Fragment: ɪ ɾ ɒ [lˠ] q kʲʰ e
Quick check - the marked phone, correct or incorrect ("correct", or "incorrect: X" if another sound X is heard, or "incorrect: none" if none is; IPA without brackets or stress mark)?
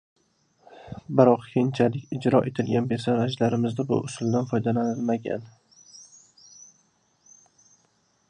incorrect: none